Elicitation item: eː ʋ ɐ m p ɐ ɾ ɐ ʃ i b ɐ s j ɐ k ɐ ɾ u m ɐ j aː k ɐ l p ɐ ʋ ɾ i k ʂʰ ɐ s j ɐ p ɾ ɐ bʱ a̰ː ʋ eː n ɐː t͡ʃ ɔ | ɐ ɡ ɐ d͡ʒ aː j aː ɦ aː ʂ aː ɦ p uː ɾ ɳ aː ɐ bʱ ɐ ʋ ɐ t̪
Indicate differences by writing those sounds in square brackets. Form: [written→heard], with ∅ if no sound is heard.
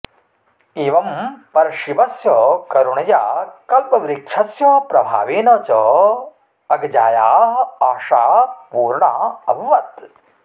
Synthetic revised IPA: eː ʋ ɐ m p ɐ ɾ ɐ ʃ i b ɐ s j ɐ k ɐ ɾ u [m→ɳ] ɐ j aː k ɐ l p ɐ ʋ ɾ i k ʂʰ ɐ s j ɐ p ɾ ɐ bʱ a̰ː ʋ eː n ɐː t͡ʃ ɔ | ɐ ɡ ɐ d͡ʒ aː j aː ɦ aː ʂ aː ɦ p uː ɾ ɳ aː ɐ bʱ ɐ ʋ ɐ t̪